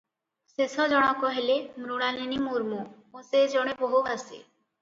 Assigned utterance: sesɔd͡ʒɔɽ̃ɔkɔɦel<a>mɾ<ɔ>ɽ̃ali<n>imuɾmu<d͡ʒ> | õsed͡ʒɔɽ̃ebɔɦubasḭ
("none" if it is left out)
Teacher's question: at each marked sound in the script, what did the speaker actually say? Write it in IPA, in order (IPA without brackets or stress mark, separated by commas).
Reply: e, u, n, none